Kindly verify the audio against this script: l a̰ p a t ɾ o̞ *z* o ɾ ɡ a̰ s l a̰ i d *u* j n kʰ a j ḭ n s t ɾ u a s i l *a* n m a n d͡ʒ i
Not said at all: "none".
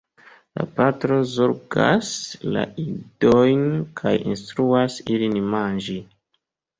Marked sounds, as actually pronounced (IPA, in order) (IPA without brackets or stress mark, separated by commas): z, o, i